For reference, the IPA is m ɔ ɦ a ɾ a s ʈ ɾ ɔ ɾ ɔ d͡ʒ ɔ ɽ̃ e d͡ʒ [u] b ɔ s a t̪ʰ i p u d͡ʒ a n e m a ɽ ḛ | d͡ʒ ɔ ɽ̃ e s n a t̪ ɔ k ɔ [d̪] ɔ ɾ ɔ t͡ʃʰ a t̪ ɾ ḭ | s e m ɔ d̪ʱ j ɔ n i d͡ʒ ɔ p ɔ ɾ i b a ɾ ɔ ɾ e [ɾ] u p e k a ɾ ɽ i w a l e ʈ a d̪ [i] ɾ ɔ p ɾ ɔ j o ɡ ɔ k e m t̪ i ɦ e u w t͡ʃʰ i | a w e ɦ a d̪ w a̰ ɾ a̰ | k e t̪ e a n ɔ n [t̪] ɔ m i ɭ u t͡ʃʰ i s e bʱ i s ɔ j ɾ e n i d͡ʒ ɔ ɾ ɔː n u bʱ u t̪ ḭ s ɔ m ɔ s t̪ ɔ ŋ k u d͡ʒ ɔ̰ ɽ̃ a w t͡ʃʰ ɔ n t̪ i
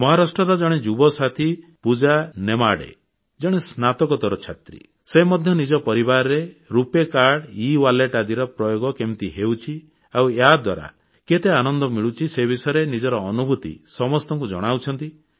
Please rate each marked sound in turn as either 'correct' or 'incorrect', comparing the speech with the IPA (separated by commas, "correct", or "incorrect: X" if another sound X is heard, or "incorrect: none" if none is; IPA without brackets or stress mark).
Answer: correct, incorrect: t̪, correct, correct, incorrect: d̪